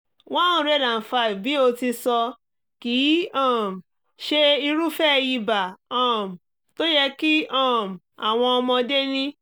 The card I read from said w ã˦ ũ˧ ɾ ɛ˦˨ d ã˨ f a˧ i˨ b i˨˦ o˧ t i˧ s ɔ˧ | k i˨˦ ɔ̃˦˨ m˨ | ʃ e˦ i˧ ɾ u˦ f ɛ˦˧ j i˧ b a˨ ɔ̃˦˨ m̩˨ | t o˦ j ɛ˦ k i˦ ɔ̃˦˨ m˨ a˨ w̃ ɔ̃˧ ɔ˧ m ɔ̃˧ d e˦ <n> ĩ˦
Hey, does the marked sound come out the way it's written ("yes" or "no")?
yes